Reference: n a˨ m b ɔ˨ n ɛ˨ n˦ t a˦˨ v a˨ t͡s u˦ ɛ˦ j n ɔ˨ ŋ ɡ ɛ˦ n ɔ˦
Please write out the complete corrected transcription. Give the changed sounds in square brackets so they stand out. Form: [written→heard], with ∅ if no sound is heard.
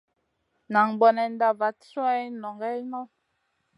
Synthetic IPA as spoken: n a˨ [m→ŋ] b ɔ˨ n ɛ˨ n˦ [t→d] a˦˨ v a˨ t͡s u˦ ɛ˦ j n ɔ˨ ŋ ɡ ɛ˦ n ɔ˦